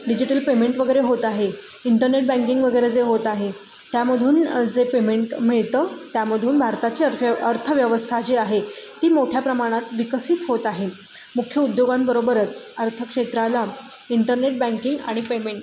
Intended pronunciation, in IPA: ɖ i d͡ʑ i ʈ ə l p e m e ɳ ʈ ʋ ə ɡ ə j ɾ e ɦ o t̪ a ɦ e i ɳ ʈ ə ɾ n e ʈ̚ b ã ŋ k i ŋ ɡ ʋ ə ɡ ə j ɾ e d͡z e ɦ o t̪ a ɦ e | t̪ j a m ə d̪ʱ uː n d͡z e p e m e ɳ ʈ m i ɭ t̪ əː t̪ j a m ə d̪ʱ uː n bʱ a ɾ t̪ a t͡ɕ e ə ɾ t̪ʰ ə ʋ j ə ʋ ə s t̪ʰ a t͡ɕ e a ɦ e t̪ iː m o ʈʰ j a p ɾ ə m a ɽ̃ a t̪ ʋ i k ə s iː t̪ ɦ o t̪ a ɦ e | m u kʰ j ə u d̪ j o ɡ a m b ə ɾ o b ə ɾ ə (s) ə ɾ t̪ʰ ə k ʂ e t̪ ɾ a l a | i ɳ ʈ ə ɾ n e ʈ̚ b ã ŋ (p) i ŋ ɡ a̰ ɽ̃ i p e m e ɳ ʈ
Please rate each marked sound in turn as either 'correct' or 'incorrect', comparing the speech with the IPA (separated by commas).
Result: incorrect, incorrect